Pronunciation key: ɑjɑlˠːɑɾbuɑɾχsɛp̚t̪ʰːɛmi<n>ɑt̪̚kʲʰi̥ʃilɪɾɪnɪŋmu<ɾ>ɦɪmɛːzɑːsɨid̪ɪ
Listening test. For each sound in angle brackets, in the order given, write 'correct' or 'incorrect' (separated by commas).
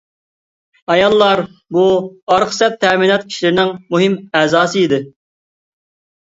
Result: correct, incorrect